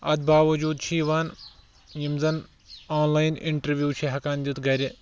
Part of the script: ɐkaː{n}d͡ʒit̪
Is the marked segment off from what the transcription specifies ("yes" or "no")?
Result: no